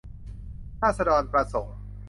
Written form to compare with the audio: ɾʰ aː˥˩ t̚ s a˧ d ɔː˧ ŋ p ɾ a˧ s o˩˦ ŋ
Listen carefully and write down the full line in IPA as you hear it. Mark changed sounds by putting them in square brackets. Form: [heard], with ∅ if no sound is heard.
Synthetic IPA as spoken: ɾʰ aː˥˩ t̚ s a˧ d ɔː˧ [n] p ɾ a˧ s o˩˦ ŋ